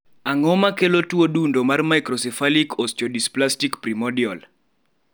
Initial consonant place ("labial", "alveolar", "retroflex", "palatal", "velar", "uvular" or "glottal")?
velar